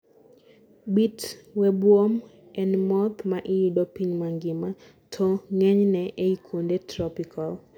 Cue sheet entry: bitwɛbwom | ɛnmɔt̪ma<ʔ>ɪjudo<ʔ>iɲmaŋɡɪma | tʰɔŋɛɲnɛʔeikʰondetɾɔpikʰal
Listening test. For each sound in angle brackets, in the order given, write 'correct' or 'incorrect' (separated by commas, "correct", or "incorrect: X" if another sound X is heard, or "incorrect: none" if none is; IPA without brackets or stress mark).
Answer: correct, incorrect: p